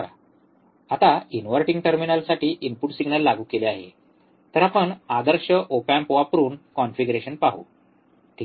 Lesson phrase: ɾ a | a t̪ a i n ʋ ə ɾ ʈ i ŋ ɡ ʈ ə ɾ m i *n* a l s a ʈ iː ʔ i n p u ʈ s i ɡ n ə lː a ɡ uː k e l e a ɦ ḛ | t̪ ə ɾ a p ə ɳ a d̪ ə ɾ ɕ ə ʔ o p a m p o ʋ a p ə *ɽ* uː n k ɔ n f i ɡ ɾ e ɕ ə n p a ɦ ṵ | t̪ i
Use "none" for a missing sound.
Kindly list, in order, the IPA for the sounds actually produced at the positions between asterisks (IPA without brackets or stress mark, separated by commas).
n, ɾ